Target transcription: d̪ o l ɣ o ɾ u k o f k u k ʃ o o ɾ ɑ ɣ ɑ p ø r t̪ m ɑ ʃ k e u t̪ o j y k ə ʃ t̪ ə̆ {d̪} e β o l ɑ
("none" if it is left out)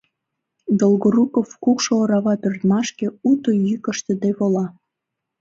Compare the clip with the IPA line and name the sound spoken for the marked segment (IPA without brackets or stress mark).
d̪